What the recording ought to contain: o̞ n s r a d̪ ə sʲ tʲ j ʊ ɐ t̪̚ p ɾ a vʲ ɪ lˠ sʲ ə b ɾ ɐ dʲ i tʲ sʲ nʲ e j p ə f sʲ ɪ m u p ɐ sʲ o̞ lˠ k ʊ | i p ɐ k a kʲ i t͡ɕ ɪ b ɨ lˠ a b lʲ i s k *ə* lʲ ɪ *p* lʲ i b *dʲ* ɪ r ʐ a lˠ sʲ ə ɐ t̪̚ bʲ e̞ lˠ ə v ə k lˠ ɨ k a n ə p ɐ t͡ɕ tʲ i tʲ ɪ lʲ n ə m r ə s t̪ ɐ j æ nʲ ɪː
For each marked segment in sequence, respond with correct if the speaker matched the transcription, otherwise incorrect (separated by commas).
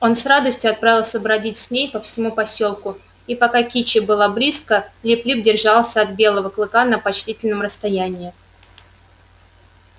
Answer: correct, correct, correct